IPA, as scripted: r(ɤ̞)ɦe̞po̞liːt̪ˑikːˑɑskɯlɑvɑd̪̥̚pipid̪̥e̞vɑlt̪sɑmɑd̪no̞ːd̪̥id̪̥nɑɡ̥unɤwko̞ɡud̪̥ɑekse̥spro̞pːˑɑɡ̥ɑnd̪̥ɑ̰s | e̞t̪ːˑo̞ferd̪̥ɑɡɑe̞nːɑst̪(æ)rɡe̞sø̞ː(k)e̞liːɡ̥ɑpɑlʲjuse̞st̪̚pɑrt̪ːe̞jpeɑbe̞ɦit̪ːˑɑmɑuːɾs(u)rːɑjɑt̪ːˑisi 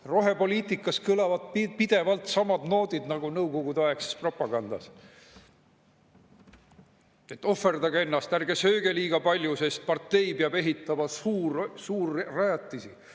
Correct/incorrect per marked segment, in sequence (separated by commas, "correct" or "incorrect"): incorrect, correct, incorrect, incorrect